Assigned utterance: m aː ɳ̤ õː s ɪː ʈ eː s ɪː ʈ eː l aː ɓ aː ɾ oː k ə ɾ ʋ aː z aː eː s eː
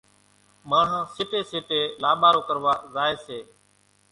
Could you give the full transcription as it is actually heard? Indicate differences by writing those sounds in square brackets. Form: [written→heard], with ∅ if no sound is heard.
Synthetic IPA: m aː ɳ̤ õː s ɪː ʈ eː s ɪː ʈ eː l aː ɓ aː ɾ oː k ə ɾ ʋ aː z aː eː s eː